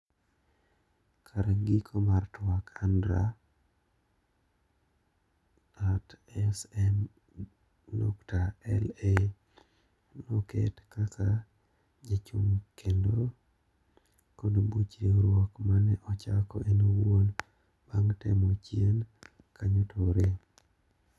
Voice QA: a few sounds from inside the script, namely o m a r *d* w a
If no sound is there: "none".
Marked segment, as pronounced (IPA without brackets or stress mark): t